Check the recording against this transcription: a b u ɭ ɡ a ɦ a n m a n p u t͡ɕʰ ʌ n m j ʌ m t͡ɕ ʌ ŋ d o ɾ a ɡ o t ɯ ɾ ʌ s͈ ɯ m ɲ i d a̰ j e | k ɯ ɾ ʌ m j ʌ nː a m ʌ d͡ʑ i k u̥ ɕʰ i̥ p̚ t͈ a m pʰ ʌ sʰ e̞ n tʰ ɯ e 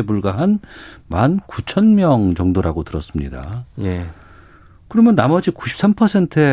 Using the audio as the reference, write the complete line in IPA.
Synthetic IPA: e b u ɭ ɡ a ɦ a n m a n k u t͡ɕʰ ʌ n m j ʌ ŋ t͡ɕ ʌ ŋ d o ɾ a ɡ o t ɯ ɾ ʌ s͈ ɯ m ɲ i d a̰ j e | k ɯ ɾ ʌ m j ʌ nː a m ʌ d͡ʑ i k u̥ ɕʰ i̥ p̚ s͈ a m pʰ ʌ sʰ e̞ n tʰ ɯ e